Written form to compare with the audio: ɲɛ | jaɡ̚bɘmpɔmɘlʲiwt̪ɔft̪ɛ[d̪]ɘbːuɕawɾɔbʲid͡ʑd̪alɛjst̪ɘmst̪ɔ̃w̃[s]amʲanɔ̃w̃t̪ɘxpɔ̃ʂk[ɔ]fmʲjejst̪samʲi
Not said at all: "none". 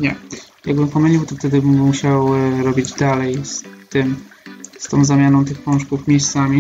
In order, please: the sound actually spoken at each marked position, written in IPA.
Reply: d̪, z, u

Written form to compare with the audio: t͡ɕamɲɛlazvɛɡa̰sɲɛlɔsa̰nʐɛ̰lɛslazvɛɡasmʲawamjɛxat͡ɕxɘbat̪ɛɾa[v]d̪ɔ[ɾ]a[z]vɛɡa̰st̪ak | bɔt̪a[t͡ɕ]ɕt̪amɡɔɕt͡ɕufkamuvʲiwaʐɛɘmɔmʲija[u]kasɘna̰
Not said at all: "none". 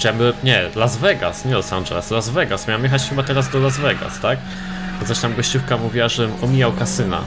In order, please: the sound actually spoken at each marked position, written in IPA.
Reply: z, l, z, none, w

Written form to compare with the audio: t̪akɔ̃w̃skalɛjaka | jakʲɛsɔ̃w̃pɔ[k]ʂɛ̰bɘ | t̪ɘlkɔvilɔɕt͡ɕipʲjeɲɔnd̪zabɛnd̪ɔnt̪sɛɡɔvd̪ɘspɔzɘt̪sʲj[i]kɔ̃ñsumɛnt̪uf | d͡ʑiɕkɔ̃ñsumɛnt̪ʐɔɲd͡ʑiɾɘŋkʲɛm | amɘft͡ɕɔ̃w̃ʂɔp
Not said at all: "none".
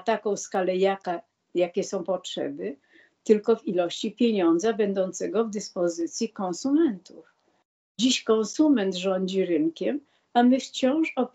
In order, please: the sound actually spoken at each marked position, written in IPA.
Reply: t, i

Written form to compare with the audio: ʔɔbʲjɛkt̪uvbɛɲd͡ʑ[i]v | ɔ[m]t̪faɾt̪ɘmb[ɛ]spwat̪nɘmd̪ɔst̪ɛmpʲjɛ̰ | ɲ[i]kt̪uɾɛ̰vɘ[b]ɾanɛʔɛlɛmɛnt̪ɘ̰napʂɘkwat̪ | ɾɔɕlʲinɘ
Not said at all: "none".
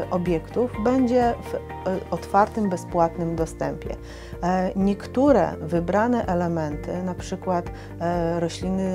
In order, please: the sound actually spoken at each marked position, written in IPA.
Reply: ɛ, none, ɛ, ɛ, b

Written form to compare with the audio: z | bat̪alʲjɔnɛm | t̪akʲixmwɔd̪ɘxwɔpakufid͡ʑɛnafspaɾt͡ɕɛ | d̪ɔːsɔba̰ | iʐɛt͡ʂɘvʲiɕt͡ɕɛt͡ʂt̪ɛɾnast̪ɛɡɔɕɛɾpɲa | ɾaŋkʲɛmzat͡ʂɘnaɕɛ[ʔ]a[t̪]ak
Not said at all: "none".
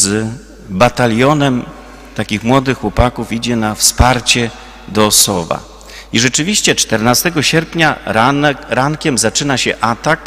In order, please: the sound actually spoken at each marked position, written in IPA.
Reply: ʔ, t̪

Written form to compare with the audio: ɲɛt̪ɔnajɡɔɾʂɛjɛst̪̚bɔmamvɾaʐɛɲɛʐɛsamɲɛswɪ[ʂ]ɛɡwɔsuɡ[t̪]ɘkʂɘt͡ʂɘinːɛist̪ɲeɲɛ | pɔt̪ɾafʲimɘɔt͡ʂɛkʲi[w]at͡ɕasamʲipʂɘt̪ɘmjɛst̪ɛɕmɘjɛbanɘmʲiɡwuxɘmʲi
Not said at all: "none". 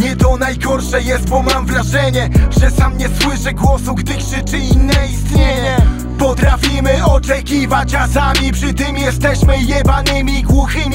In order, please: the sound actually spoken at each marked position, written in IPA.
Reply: ʂ, d̪, v

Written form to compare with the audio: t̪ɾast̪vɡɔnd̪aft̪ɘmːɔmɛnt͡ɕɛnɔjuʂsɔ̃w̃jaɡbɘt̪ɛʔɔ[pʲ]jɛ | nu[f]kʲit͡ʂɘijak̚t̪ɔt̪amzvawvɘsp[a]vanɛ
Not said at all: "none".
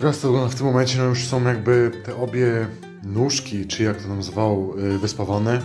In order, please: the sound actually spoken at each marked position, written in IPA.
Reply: bʲ, ʂ, a

